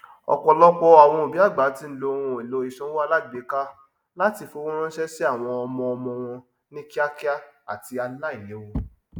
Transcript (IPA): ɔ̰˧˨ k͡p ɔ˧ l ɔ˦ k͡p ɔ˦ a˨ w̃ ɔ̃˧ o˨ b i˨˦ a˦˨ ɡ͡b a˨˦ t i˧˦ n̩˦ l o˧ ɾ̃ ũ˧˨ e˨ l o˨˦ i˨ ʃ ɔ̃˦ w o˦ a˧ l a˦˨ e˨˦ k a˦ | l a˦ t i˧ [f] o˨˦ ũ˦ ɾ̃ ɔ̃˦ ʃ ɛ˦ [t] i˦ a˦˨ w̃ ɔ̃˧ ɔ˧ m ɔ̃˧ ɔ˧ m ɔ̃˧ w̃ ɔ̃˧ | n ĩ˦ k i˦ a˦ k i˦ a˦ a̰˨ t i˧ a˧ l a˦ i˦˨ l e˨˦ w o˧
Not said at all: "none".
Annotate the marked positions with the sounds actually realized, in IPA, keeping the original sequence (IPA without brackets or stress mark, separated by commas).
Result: f, s